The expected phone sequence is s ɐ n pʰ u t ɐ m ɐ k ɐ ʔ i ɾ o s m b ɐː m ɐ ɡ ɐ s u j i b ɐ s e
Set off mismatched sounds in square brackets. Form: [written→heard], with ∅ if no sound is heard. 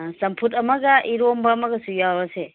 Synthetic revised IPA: s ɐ [n→m] pʰ u t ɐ m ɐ [k→ɡ] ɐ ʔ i ɾ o [s→∅] m b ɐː m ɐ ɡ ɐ s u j [i→a] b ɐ s e